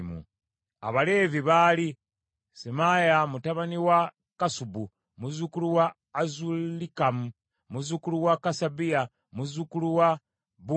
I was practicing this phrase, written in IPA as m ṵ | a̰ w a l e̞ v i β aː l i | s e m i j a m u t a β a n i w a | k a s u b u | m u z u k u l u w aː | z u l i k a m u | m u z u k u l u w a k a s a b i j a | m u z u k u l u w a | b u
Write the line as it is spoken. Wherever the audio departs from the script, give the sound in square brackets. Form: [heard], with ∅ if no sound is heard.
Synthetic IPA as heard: m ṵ | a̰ [β] a l e̞ v i β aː l i | s e m [a] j a m u t a β a n i w a | k a s u b u | m u z u k u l u w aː | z u l i k a m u | m u z u k u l u w a k a s a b i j a | m u z u k u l u w a | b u

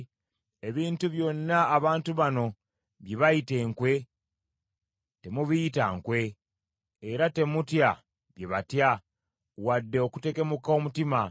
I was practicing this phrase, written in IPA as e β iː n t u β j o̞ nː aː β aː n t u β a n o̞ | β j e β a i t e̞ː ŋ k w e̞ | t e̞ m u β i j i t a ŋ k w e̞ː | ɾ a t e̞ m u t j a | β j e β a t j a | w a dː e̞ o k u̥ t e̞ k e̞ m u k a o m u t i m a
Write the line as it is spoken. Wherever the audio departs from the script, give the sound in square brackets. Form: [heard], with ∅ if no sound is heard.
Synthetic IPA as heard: e β iː n t u β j o̞ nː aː β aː n t u β a n o̞ | β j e β a i t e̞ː ŋ k w e̞ | t e̞ m u β i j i t a ŋ k w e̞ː | ɾ a t e̞ m u t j a | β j e β a t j a | w a dː e̞ o k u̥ t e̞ k e̞ m u k a o m u t i m a

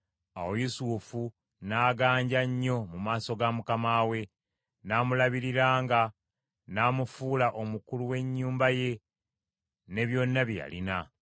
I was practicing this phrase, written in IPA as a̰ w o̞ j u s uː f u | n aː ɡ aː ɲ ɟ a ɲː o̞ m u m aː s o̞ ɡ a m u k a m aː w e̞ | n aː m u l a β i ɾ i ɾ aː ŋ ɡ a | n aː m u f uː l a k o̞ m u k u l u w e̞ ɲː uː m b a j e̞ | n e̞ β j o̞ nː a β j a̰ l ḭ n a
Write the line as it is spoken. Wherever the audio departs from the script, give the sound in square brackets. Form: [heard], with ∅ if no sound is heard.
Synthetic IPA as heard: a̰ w o̞ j u s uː f u | n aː ɡ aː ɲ ɟ a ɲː o̞ m u m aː s o̞ ɡ a m u k a m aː w e̞ | n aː m u l a β i ɾ i ɾ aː ŋ ɡ a | n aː m u f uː l a [ʔ] o̞ m u k u l u w e̞ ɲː uː m b a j e̞ | n e̞ β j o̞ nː a β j a̰ l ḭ n a

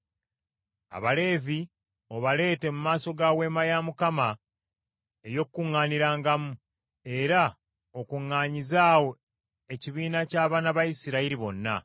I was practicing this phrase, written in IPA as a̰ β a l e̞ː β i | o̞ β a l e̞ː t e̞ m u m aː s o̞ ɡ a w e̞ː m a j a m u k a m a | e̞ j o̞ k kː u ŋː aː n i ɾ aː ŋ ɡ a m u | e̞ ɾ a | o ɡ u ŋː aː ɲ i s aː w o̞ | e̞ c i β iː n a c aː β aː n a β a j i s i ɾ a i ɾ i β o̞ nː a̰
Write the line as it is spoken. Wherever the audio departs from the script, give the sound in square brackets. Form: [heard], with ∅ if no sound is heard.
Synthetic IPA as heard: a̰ β a l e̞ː [v] i | o̞ β a l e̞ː t e̞ m u m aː s o̞ ɡ a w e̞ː m a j a m u k a m a | e̞ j o̞ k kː u ŋː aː n i ɾ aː ŋ ɡ a m u | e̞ ɾ a | o [k] u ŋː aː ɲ i [z] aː w o̞ | e̞ c i β iː n a c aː β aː n a β a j i s i ɾ a i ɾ i β o̞ nː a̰

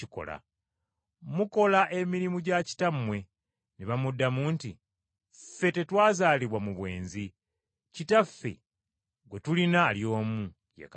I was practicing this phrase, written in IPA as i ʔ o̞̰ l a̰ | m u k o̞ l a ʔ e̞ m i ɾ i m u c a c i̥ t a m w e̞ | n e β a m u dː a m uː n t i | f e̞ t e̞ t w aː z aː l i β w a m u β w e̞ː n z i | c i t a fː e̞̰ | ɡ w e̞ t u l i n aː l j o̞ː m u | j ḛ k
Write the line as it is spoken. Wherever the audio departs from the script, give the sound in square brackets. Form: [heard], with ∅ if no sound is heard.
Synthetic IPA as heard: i [k] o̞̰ l a̰ | m u k o̞ l a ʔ e̞ m i ɾ i m u [ɟ] a c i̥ t a m w e̞ | n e β a m u dː a m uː n t i | f e̞ t e̞ t w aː z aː l i β w a m u β w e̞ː n z i | c i t a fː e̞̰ | ɡ w e̞ t u l i n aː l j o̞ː m u | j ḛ k

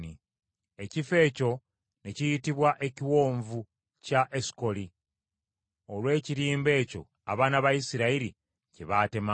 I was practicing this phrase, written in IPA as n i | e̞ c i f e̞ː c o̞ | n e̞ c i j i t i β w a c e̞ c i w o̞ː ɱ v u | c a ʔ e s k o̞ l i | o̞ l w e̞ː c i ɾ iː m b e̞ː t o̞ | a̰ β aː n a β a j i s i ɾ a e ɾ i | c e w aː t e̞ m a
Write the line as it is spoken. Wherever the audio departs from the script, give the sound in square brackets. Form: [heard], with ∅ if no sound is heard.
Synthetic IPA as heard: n i | e̞ c i f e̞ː c o̞ | n e̞ c i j i t i β w a [ʔ] e̞ c i w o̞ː ɱ v u | c a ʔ e s k o̞ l i | o̞ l w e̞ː c i ɾ iː m b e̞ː [c] o̞ | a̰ β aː n a β a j i s i ɾ a [i] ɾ i | c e [β] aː t e̞ m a

